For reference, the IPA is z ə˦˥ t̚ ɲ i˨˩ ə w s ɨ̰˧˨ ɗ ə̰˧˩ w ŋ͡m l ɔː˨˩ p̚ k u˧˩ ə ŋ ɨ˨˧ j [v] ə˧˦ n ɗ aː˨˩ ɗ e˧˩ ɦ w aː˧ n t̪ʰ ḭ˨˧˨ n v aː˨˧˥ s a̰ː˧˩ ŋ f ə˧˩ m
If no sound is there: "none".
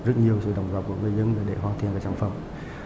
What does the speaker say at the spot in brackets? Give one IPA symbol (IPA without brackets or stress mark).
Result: z